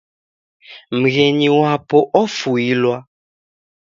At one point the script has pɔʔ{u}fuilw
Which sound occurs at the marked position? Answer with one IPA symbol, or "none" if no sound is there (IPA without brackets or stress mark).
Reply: ɔ